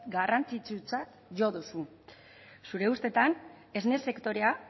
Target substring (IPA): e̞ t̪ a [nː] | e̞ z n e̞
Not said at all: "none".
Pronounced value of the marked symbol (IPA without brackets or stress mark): n